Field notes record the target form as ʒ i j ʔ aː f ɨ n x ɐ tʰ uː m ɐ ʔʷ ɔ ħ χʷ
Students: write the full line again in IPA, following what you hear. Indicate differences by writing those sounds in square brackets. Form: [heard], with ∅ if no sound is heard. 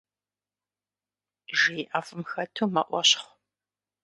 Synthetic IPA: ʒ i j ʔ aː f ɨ [m] x ɐ tʰ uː m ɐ ʔʷ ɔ [ɕ] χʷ